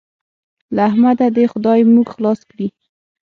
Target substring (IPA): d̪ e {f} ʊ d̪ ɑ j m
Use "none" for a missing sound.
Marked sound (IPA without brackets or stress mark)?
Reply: x